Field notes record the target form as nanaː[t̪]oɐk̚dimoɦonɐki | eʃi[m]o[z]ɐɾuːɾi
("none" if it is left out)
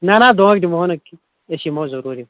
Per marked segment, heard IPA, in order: d̪, m, z

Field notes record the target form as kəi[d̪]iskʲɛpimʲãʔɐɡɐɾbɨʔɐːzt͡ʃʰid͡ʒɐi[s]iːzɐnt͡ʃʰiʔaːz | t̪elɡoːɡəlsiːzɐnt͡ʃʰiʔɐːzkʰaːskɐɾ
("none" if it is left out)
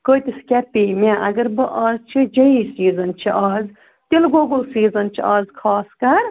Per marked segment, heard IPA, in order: t̪, s

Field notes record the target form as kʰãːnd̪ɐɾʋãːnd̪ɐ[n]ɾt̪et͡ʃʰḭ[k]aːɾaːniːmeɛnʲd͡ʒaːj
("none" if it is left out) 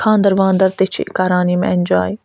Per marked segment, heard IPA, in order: none, k

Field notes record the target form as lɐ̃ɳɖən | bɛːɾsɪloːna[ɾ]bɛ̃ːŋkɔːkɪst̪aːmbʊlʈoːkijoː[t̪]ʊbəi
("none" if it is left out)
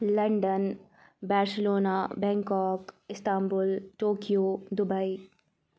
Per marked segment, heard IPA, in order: none, d̪

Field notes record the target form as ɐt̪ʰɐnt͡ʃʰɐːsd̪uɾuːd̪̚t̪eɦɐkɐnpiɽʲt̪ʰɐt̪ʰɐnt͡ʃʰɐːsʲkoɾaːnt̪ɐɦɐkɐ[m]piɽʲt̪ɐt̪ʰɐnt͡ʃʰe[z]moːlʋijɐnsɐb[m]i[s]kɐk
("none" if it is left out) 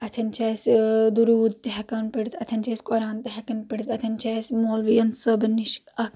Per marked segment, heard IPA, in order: n, s, n, ʃ

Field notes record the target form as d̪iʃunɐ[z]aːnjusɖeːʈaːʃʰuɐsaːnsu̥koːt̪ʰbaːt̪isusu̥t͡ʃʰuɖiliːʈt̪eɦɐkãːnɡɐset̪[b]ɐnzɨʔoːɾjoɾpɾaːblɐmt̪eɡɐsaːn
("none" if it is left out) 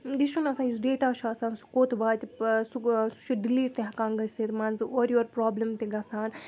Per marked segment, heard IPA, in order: s, m

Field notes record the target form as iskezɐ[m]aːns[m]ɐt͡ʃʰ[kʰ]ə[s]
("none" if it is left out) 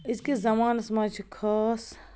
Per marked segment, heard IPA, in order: m, m, kʰ, s

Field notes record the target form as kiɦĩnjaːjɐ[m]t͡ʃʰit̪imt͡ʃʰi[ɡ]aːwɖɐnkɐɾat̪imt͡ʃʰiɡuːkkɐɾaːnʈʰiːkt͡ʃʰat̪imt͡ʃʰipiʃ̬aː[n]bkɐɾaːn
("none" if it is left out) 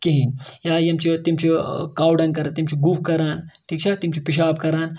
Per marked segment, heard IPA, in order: m, k, none

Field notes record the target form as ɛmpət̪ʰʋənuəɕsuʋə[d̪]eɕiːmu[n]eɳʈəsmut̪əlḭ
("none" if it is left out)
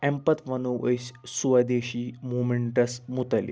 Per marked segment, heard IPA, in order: d̪, m

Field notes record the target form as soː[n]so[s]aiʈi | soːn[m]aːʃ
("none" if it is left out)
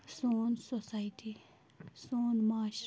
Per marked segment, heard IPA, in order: n, s, m

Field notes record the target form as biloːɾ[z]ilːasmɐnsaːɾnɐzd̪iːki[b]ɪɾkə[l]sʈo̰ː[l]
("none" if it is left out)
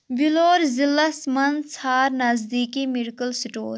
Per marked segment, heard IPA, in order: z, m, l, ɾ

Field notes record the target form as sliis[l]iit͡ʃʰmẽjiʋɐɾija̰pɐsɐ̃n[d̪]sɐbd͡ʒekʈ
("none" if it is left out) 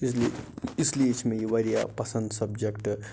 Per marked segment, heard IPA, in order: l, d̪

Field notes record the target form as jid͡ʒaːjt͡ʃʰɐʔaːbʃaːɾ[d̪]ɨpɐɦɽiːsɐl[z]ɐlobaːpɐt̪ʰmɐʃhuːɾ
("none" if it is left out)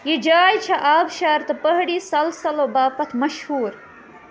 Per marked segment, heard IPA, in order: t̪, s

